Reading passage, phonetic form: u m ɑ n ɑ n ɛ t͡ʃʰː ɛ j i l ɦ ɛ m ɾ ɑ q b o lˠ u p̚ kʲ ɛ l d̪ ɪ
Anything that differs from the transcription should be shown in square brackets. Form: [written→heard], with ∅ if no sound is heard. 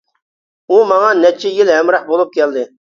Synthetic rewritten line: u m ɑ [n→ŋ] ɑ n ɛ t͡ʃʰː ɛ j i l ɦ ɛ m ɾ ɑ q b o lˠ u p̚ kʲ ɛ l d̪ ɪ